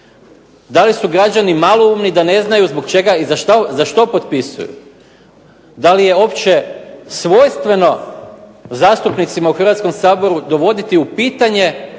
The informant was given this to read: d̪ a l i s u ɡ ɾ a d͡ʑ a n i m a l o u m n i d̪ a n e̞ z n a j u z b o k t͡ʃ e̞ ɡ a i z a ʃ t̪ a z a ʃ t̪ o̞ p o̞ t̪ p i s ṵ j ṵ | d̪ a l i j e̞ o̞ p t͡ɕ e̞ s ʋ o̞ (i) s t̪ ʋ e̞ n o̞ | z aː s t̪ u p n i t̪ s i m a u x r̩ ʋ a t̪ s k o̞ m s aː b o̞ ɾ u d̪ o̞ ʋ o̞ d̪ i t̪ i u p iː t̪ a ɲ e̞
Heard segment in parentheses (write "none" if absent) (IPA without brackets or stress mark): j